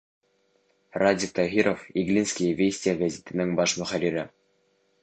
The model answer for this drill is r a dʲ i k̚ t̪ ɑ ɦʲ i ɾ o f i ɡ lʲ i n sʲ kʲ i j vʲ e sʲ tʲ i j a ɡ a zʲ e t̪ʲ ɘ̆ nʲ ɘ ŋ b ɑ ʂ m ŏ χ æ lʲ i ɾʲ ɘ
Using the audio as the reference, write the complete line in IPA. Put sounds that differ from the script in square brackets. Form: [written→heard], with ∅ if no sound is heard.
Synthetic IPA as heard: r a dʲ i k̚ t̪ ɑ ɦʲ i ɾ o f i ɡ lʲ i n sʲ kʲ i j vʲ e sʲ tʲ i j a ɡ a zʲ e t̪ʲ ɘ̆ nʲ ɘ ŋ b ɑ ʂ m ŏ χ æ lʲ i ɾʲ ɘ

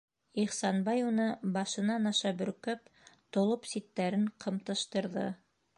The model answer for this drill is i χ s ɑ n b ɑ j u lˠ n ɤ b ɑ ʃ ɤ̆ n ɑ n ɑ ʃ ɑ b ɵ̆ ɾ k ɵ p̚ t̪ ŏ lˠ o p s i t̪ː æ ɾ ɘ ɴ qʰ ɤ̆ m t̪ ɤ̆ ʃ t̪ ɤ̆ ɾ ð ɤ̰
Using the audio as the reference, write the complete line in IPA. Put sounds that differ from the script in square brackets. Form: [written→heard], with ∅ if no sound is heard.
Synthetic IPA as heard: i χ s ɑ n b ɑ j u [lˠ→∅] n ɤ b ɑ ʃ ɤ̆ n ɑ n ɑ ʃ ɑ b ɵ̆ ɾ k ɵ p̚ t̪ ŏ lˠ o p s i t̪ː æ ɾ ɘ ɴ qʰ ɤ̆ m t̪ ɤ̆ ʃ t̪ ɤ̆ ɾ ð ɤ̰

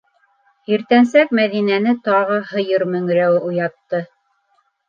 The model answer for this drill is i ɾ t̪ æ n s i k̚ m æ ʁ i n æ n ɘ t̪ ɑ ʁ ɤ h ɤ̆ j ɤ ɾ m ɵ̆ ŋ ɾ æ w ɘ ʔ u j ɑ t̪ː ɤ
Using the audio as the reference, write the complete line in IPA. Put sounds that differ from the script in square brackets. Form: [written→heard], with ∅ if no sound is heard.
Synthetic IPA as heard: i ɾ t̪ æ n s [i→æ] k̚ m æ [ʁ→ð] i n æ n ɘ t̪ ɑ ʁ ɤ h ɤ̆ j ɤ ɾ m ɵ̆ ŋ ɾ æ w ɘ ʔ u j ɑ t̪ː ɤ

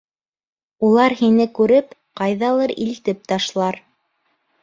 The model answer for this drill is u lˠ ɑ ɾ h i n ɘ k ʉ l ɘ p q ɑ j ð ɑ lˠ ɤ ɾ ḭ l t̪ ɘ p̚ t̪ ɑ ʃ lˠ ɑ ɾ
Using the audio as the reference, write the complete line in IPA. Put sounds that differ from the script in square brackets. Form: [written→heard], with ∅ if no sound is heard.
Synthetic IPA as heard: u lˠ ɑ ɾ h i n ɘ k ʉ [l→ɾ] ɘ p q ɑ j ð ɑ lˠ ɤ ɾ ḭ l t̪ ɘ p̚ t̪ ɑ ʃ lˠ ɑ ɾ

